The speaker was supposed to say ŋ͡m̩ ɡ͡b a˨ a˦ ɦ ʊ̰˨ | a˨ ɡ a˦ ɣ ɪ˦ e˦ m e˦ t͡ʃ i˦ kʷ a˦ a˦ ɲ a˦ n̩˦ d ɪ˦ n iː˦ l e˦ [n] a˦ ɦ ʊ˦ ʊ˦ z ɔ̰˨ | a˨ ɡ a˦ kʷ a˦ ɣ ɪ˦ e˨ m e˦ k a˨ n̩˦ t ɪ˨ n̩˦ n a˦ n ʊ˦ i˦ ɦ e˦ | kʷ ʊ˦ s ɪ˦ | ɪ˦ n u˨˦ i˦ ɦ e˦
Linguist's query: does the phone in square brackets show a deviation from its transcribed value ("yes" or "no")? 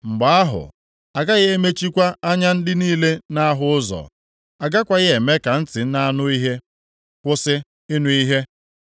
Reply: no